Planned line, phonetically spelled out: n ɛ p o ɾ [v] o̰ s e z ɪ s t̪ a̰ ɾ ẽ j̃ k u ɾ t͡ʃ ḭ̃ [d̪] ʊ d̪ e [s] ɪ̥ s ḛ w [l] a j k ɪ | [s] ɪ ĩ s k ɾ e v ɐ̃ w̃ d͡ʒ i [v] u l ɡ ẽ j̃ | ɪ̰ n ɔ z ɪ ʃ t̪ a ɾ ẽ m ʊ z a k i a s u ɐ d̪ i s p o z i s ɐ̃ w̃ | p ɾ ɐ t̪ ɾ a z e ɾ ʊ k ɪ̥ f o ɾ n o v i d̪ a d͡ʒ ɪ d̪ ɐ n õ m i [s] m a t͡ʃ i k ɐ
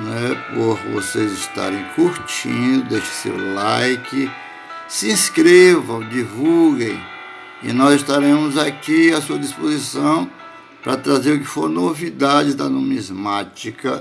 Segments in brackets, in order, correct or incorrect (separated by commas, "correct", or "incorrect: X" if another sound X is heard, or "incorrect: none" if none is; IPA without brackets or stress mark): correct, correct, incorrect: ʃ, correct, correct, correct, incorrect: z